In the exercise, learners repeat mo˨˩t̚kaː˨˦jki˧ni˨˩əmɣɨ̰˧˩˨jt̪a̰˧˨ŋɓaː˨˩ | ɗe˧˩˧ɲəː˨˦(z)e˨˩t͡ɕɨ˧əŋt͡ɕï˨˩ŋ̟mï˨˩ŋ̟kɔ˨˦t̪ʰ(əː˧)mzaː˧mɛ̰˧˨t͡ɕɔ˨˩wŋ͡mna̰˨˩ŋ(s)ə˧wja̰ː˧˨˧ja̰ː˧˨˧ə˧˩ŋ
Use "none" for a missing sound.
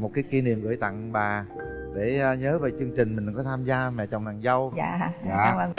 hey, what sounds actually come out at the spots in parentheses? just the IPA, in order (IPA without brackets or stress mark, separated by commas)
v, aː˧, z